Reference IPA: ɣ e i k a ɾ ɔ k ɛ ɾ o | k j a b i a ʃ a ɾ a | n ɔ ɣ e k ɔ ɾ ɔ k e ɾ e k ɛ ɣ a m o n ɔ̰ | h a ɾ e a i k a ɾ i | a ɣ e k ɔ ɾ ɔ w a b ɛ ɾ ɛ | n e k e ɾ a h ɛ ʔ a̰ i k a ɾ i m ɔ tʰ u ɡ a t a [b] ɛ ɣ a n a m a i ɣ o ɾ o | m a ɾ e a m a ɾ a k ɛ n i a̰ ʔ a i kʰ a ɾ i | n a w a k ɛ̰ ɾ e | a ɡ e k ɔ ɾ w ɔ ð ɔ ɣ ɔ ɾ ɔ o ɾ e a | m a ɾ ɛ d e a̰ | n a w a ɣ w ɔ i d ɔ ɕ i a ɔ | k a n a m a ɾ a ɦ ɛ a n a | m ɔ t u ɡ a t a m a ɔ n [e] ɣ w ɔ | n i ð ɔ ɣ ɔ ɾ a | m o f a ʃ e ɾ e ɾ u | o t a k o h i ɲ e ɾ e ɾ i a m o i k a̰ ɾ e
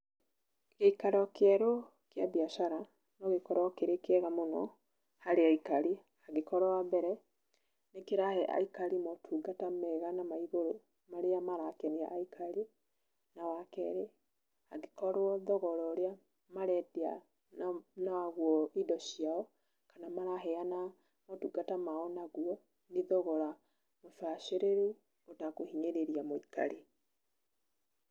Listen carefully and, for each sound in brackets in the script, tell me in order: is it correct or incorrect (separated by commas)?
incorrect, incorrect